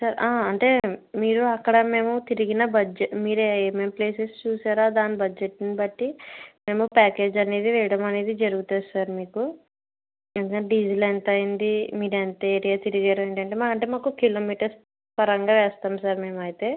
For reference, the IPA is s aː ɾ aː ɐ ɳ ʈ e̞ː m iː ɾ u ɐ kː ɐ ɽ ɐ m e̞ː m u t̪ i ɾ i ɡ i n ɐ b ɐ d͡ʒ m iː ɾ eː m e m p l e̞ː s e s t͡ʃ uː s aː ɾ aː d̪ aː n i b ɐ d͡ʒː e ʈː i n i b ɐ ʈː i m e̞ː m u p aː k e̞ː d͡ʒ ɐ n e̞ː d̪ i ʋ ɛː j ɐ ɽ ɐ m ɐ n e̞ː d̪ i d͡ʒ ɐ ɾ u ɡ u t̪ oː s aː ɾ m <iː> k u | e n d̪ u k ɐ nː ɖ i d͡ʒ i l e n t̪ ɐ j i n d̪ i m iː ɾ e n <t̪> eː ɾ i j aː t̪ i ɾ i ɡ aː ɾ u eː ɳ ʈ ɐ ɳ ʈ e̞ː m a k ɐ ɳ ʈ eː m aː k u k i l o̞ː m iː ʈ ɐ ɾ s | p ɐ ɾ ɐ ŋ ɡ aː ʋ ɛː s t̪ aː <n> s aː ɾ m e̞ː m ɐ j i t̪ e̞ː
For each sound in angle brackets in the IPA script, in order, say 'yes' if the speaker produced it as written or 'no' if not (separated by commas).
yes, yes, no